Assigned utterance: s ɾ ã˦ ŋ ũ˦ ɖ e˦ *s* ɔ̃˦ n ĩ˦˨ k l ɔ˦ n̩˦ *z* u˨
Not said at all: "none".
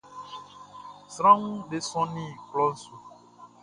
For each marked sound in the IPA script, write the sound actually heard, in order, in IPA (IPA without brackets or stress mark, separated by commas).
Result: s, s